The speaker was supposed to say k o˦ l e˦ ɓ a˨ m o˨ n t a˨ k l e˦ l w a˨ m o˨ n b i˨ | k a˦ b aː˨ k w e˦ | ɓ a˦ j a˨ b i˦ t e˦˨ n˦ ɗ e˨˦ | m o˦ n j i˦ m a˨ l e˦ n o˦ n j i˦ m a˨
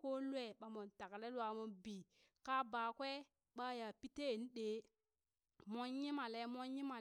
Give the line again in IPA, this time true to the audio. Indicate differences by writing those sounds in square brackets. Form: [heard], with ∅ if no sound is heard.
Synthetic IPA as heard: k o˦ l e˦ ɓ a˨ m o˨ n t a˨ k l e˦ l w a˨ m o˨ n b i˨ | k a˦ b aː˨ k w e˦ | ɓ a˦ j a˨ [p] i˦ t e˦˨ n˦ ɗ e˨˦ | m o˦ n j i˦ m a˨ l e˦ [m] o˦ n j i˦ m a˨